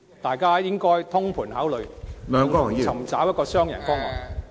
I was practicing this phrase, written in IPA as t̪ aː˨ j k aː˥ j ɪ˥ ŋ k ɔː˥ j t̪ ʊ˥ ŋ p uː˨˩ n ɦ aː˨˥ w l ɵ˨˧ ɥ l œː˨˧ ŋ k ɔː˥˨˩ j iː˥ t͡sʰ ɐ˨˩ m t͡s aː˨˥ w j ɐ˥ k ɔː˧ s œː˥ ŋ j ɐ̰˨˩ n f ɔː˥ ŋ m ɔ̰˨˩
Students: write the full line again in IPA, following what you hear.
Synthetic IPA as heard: t̪ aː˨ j k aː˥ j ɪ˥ ŋ k ɔː˥ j t̪ʰ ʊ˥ ŋ pʰ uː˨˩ n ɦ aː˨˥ w l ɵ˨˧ ɥ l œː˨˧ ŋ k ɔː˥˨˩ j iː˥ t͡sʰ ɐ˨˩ m t͡s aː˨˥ w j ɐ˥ k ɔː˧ s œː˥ ŋ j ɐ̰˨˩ n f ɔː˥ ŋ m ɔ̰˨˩